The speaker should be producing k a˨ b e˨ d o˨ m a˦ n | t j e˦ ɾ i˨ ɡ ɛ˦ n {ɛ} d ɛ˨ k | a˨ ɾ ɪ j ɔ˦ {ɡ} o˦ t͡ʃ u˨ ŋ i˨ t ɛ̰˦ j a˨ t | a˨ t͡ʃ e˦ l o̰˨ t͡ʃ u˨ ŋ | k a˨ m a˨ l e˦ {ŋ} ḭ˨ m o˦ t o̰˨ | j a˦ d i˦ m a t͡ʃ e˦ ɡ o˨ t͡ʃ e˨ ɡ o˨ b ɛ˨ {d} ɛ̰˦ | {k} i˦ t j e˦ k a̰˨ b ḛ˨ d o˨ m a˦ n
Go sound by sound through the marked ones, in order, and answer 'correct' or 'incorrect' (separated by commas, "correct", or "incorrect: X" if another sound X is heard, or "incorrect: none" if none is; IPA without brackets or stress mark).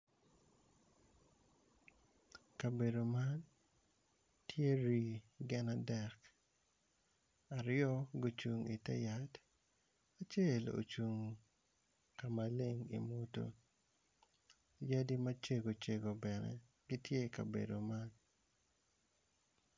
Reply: incorrect: a, correct, correct, incorrect: n, incorrect: ɡ